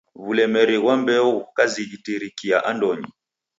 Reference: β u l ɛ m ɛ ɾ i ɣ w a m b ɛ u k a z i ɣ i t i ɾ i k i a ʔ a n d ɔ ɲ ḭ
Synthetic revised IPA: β u l ɛ m ɛ ɾ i ɣ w a m b ɛ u k a z i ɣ i t i ɾ i k i a ʔ a n d ɔ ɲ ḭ